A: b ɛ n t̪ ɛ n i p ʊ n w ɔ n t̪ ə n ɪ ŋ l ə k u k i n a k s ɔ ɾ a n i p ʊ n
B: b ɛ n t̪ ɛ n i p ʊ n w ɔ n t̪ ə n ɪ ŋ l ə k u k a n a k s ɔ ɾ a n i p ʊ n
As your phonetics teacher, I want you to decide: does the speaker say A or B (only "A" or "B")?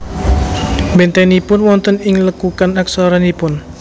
B